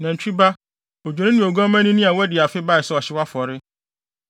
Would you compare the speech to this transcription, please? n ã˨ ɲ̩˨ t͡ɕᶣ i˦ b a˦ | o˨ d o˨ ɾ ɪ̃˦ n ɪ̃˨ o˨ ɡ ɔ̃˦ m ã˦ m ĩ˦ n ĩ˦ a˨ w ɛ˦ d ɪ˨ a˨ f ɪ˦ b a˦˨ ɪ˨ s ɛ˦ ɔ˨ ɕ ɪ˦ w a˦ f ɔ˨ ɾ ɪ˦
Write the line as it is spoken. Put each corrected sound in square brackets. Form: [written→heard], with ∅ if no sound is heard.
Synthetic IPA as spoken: n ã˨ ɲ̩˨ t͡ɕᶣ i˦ b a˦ | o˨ [d→d͡ʑᶣ] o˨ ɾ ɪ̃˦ n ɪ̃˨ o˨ ɡ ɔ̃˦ m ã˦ [m→n] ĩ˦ n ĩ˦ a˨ w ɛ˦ d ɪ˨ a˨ f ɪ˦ b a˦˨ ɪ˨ s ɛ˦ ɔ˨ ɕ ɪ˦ w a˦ f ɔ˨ ɾ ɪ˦